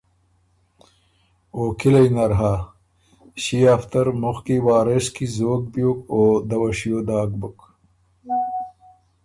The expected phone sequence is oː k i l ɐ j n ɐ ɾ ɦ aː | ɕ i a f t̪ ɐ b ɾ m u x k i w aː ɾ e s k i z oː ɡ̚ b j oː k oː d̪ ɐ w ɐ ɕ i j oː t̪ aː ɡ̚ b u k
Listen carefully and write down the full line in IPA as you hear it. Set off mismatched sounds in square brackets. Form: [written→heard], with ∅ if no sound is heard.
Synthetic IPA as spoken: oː k i l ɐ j n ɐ ɾ ɦ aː | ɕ i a f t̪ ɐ [b→∅] ɾ m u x k i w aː ɾ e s k i z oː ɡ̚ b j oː k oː d̪ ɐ w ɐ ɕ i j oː [t̪→d̪] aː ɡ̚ b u k